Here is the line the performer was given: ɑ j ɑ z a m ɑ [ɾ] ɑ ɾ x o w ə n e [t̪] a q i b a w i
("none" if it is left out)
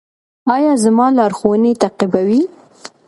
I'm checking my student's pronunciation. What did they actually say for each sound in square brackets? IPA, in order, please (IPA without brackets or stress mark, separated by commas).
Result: l, t̪